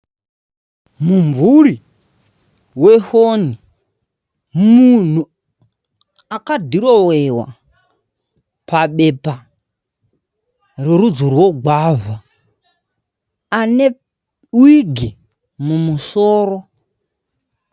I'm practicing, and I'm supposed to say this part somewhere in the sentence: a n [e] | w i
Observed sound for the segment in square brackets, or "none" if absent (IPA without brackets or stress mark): e